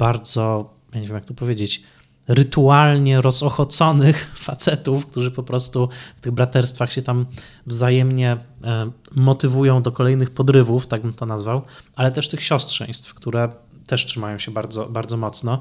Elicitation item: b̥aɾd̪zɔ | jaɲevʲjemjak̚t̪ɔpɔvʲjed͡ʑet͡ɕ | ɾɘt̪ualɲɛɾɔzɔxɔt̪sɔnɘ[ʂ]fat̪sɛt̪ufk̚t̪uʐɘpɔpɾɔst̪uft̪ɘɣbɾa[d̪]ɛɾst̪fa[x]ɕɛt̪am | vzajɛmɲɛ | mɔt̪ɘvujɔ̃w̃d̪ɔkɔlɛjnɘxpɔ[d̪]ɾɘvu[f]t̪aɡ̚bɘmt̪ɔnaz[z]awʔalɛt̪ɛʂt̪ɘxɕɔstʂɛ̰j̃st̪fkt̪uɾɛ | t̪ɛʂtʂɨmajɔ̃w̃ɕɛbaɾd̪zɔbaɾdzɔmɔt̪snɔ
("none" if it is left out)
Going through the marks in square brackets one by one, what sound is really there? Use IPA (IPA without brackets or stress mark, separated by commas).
x, t̪, x, d̪, f, v